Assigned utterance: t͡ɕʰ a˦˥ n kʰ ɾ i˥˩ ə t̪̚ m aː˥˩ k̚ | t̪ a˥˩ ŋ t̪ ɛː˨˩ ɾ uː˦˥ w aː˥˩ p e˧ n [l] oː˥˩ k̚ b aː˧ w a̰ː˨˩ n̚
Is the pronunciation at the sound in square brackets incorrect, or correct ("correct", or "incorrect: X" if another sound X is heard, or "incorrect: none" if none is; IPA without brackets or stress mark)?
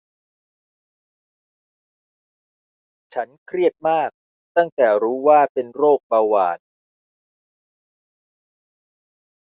incorrect: ɾ